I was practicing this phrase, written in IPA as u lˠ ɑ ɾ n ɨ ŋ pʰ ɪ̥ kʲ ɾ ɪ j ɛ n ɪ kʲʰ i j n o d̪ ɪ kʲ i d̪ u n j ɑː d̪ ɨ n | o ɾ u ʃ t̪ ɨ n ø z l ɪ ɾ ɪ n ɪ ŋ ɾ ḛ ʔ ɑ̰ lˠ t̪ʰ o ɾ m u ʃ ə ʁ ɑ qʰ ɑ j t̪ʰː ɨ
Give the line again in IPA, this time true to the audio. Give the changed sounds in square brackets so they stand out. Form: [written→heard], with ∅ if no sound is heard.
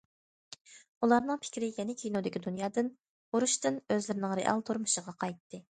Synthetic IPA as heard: u lˠ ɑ ɾ n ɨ ŋ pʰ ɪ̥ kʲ ɾ ɪ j ɛ n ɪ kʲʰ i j n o d̪ ɪ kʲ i d̪ u n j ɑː d̪ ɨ n | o ɾ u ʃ t̪ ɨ n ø z l ɪ ɾ ɪ n ɪ ŋ ɾ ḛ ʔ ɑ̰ lˠ t̪ʰ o ɾ m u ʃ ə ʁ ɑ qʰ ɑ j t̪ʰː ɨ